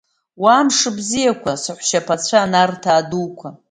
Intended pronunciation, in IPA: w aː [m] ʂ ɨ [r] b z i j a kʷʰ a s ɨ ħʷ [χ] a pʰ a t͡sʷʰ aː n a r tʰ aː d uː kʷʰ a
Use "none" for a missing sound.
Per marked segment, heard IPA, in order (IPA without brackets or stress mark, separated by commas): m, none, ʃ